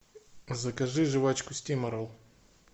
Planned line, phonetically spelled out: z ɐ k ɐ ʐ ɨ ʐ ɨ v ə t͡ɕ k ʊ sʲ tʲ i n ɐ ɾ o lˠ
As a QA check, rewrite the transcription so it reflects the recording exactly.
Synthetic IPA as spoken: z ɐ k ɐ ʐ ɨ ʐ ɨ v a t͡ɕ k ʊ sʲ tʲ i m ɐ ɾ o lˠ